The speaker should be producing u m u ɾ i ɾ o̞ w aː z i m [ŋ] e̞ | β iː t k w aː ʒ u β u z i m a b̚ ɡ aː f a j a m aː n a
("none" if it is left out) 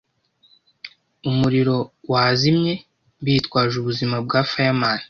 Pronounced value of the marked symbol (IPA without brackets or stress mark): ɲ